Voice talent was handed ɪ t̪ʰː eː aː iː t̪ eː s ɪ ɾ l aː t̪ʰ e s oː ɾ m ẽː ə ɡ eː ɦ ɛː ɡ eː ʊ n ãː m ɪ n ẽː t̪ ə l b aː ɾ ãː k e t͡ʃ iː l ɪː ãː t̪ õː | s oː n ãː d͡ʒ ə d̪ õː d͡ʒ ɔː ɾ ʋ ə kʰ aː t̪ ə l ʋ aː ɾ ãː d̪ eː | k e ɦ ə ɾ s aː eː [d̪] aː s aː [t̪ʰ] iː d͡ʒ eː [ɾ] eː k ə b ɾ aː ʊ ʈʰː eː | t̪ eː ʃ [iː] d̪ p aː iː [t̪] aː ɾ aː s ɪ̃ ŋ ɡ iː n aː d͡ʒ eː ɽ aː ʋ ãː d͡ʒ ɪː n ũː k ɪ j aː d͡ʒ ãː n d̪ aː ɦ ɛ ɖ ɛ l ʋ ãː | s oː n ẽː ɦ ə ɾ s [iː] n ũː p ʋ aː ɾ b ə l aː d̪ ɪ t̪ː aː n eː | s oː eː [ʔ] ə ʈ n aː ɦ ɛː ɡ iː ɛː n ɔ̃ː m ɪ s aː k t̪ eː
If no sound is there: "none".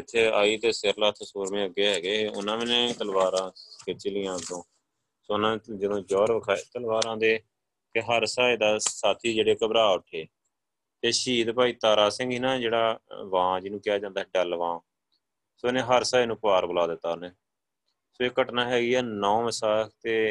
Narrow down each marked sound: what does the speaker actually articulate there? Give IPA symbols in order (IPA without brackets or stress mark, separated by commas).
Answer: d̪, t̪ʰ, ɽ, iː, t̪, aː, k